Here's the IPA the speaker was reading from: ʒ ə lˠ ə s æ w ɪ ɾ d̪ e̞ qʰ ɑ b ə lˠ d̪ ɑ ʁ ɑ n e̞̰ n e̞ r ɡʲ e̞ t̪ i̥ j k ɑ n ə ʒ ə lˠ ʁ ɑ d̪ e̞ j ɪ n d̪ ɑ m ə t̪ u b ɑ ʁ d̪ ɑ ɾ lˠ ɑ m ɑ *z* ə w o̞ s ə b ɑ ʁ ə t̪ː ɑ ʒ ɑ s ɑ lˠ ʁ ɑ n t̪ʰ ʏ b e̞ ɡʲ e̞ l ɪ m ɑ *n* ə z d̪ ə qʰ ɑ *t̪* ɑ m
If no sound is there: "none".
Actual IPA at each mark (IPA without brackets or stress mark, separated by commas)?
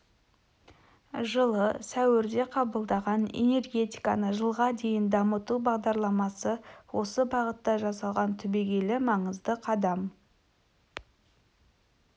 s, ɴ, d̪